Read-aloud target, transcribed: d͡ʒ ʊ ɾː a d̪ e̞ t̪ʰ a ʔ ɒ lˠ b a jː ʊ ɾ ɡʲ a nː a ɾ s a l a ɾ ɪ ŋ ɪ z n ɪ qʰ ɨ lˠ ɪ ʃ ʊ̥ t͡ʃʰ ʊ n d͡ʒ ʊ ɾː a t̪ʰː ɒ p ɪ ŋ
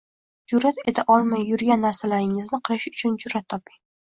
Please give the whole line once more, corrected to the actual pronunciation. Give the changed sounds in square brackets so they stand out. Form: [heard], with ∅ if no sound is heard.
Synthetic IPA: d͡ʒ ʊ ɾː a [t̪] e̞ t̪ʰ a ʔ ɒ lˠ [m] a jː ʊ ɾ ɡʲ a nː a ɾ s a l a ɾ ɪ ŋ ɪ z n ɪ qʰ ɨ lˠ ɪ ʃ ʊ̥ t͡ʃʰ ʊ n d͡ʒ ʊ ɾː a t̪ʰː ɒ p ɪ ŋ